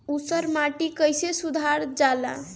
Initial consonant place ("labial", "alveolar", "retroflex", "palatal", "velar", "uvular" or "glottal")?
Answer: alveolar